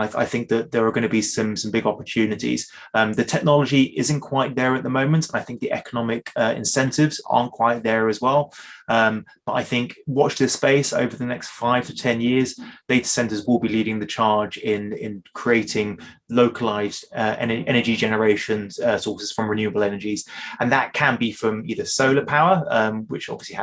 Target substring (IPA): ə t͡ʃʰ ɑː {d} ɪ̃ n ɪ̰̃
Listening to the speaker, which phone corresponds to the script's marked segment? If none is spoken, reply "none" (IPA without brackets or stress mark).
d͡ʒ